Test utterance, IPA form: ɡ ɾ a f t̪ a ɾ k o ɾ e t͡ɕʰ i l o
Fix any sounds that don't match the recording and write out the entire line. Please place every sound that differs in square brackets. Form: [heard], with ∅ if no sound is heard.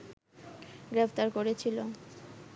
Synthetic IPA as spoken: ɡ ɾ [e] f t̪ a ɾ k o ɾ e t͡ɕʰ i l o

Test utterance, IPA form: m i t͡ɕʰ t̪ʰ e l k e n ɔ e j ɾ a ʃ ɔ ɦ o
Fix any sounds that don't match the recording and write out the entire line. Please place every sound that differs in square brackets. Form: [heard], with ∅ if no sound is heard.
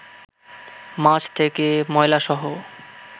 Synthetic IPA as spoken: m [a] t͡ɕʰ t̪ʰ e [∅] k e [m] ɔ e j [l] a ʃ ɔ ɦ o

